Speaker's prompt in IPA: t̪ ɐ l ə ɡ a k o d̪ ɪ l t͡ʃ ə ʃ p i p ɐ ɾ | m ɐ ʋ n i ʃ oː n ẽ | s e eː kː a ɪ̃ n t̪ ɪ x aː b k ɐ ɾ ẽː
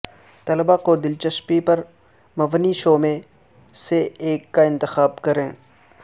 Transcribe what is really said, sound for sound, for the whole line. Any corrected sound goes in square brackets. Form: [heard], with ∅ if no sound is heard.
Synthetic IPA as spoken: t̪ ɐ l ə [b] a k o d̪ ɪ l t͡ʃ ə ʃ p i p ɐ ɾ | m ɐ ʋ n i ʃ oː [m] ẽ | s e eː kː a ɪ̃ n t̪ ɪ x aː b k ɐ ɾ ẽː